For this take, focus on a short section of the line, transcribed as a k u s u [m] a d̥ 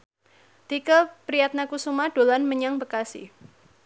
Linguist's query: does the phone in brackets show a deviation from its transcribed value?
no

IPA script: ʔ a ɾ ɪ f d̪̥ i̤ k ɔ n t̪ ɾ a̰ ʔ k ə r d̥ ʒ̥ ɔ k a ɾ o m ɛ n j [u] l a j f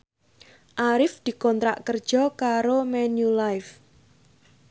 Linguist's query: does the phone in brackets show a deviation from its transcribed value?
no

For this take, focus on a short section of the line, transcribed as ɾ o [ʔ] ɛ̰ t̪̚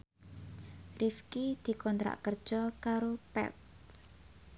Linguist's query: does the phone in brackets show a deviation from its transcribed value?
yes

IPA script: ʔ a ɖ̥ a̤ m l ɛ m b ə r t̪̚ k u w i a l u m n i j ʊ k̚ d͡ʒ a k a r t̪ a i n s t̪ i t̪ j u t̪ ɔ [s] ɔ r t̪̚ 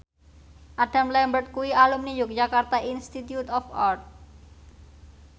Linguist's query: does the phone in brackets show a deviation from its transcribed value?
yes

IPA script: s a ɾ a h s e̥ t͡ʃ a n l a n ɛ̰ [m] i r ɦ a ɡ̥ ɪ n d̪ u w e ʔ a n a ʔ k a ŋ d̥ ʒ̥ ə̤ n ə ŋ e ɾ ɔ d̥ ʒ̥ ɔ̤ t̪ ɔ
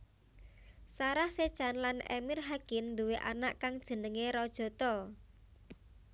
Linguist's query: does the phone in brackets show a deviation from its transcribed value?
no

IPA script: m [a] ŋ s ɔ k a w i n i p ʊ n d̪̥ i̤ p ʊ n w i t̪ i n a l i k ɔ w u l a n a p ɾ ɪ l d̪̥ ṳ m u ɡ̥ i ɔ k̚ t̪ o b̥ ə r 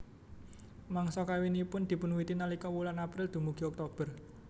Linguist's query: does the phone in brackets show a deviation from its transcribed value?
no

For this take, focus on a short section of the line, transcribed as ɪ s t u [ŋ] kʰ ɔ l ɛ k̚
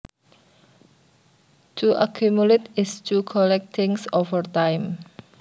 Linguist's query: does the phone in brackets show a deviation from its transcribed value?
yes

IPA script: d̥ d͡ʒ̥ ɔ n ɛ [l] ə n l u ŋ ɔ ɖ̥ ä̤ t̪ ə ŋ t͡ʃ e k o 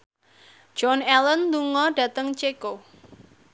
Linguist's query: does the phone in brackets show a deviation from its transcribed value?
no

